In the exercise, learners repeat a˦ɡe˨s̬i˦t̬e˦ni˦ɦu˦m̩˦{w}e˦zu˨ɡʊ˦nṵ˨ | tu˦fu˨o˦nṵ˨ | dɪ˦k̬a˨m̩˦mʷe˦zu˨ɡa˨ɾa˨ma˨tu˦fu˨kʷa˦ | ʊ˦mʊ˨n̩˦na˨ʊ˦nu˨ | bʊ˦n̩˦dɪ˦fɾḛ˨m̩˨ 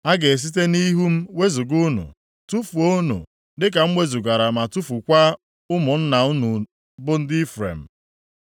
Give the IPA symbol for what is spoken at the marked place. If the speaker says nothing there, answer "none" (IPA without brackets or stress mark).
w